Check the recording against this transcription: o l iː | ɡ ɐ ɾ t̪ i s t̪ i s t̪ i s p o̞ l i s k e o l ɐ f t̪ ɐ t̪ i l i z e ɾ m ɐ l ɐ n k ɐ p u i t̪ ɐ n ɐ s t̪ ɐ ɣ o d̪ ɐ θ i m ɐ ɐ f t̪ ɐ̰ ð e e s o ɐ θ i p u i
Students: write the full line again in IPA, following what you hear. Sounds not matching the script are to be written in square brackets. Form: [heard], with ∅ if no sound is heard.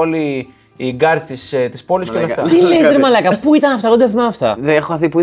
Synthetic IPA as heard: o l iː | ɡ ɐ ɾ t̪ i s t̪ i s t̪ i s p o̞ l i s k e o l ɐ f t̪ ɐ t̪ i l [e] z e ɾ m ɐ l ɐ [∅] k ɐ p u i t̪ ɐ n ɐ [f] t̪ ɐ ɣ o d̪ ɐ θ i m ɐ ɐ f t̪ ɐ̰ ð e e [x] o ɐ θ i p u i